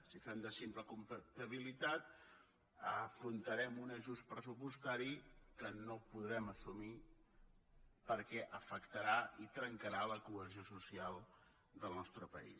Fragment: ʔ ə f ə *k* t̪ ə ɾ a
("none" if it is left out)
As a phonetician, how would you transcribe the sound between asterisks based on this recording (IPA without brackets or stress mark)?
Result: k